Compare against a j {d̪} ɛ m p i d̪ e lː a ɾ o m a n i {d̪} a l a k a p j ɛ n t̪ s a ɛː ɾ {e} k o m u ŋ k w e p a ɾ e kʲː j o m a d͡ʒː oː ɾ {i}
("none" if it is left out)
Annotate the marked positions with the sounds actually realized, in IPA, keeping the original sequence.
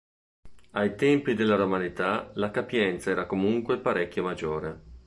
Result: t̪, t̪, a, e

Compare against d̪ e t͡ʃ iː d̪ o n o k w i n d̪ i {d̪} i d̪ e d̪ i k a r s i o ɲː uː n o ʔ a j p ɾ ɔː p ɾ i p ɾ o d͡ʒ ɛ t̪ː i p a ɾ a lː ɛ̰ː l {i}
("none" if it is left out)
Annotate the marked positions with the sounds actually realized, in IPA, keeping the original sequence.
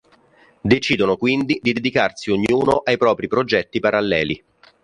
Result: d̪, i

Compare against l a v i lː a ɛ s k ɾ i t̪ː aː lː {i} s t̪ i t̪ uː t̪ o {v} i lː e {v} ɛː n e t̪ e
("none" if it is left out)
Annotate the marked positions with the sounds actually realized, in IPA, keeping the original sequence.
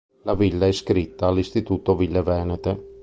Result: i, v, v

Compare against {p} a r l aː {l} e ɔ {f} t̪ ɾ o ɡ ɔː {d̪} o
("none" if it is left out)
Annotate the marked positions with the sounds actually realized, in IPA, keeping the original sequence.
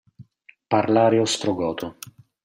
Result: p, ɾ, s, t̪

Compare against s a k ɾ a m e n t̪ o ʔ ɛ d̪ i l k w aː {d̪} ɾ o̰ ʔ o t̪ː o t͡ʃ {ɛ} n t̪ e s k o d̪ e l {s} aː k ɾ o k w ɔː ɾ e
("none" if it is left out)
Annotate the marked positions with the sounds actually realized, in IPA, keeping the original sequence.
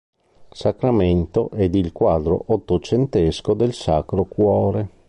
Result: d̪, e, s

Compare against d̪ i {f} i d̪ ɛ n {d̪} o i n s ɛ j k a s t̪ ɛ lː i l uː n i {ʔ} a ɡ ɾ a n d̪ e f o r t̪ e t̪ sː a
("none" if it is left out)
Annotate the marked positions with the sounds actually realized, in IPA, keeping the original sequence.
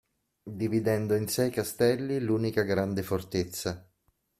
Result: v, d̪, k

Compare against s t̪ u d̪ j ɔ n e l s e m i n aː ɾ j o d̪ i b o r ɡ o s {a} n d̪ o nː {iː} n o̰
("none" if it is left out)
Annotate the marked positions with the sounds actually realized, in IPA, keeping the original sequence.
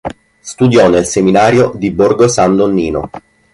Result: a, iː

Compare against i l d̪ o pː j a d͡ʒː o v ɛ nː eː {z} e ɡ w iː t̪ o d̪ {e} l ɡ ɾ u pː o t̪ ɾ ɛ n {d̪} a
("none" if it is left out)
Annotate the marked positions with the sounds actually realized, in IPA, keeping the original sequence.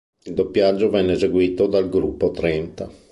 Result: z, a, t̪

